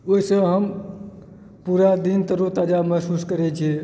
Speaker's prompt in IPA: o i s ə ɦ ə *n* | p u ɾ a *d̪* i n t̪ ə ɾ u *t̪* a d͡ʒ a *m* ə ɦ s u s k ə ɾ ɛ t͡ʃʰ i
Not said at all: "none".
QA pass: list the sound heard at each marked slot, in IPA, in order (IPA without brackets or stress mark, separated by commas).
m, d̪, t̪, m